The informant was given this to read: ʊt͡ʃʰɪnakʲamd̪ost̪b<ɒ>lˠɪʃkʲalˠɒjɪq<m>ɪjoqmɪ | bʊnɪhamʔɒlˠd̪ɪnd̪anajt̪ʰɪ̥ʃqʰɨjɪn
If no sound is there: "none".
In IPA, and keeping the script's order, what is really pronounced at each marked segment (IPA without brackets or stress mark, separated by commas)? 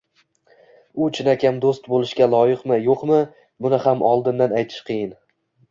o, m